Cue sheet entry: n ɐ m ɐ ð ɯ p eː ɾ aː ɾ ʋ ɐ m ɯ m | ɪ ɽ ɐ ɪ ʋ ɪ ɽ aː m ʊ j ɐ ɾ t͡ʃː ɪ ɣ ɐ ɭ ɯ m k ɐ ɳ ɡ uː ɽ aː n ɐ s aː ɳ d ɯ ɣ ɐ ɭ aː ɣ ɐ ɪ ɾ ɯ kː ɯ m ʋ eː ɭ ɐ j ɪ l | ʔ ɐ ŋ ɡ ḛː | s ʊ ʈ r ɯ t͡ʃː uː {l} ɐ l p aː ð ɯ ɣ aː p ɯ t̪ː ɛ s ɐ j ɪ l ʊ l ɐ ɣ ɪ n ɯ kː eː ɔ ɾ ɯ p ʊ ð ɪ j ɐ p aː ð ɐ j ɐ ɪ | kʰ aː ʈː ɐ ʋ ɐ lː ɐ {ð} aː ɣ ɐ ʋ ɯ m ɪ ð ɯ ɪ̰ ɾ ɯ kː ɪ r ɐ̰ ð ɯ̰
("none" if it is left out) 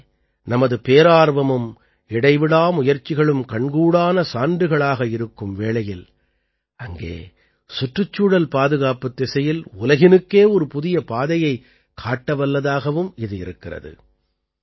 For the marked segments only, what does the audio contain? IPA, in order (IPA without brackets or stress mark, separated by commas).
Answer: ɽ, ð